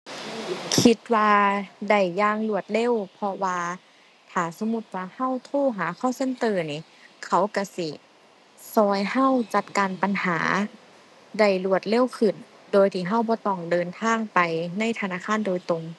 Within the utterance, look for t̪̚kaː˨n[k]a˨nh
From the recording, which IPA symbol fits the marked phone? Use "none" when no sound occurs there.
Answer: p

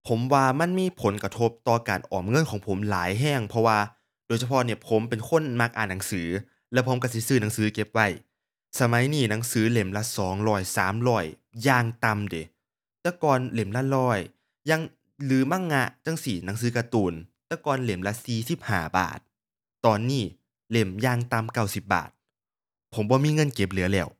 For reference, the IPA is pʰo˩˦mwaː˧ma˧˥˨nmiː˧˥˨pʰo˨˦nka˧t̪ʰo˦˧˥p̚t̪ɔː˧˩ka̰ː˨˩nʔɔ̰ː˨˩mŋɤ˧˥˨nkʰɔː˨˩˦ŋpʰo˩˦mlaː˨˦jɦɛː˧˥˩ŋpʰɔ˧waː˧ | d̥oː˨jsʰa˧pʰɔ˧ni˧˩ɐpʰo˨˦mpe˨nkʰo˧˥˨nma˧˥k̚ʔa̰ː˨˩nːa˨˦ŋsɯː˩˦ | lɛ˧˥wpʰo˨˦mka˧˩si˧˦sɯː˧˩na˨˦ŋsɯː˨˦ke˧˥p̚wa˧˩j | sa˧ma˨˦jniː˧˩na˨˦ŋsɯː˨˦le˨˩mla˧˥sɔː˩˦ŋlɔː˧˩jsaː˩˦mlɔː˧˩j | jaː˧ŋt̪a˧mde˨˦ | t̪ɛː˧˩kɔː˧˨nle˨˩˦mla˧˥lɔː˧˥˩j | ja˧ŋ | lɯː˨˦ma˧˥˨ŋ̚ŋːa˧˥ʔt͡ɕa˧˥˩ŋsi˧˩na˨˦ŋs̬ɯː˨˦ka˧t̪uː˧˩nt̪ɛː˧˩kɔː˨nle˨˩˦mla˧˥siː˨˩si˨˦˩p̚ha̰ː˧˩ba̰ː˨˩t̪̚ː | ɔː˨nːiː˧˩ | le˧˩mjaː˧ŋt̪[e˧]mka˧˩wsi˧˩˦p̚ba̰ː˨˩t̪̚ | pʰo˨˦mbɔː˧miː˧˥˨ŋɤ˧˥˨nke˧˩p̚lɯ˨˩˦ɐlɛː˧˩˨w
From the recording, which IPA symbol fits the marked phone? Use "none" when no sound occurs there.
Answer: a˧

